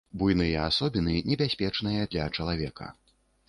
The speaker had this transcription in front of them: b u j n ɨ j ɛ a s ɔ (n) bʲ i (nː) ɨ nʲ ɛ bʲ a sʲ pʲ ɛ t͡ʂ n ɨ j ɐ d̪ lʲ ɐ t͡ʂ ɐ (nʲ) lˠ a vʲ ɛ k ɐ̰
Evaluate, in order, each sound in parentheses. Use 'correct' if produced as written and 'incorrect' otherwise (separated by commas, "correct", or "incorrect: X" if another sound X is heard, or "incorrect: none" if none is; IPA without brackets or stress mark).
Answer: incorrect: none, incorrect: n, incorrect: none